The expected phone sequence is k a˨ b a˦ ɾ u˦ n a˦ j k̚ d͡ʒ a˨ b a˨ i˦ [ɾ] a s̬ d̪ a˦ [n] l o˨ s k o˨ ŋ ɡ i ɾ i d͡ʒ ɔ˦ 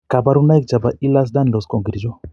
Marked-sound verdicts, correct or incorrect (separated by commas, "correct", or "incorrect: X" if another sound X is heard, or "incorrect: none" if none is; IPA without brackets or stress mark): incorrect: l, correct